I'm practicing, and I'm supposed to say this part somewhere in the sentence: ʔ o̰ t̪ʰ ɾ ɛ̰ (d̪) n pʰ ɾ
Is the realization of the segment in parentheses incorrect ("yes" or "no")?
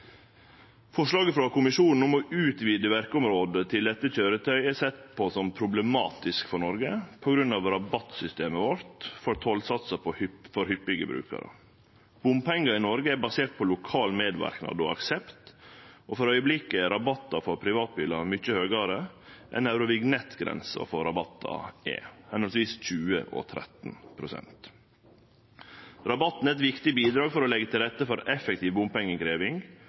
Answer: yes